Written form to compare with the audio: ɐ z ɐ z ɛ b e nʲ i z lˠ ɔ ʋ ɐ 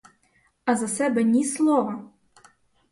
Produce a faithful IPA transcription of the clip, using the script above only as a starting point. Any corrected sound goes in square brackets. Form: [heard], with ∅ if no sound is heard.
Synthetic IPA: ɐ z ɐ [s] ɛ b [ɛ] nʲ i [s] lˠ ɔ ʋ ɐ